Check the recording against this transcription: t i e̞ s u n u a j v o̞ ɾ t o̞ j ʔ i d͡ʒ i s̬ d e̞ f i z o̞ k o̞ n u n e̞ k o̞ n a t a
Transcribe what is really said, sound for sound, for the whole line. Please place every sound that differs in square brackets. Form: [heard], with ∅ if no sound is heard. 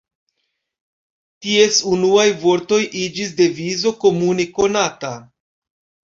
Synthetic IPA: t i e̞ s u n u a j v o̞ ɾ t o̞ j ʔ i d͡ʒ i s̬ d e̞ [v] i z o̞ k o̞ [m] u n e̞ k o̞ n a t a